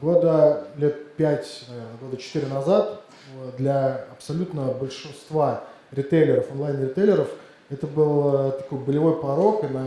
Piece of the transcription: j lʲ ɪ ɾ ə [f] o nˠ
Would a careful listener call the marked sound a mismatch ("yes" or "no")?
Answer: no